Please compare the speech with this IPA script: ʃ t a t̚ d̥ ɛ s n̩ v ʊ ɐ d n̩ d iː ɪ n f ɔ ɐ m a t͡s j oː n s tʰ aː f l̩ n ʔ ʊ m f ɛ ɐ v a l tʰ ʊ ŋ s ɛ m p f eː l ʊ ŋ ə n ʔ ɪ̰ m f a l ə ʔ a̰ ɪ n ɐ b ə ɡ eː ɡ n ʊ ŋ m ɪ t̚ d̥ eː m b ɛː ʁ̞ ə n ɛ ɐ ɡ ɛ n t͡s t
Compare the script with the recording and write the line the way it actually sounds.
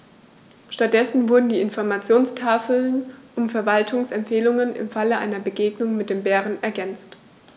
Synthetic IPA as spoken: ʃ t a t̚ d̥ ɛ s n̩ v ʊ ɐ d n̩ d iː ɪ n f ɔ ɐ m a t͡s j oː n s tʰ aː f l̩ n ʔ ʊ m f ɛ ɐ v a l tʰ ʊ ŋ s ɛ m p f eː l ʊ ŋ ə n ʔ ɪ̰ m f a l ə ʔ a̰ ɪ n ɐ b ə ɡ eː ɡ n ʊ ŋ m ɪ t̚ d̥ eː m b ɛː ʁ̞ ə n ɛ ɐ ɡ ɛ n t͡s t